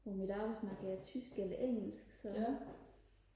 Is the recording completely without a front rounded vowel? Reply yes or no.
no